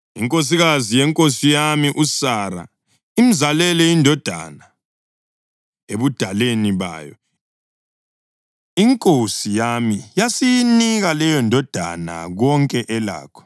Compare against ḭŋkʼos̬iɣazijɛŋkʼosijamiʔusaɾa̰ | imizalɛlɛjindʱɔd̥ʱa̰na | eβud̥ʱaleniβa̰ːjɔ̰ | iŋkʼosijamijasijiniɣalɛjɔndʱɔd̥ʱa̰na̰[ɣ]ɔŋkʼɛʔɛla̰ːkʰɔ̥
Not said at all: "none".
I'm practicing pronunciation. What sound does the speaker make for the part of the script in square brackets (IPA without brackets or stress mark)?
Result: ɣ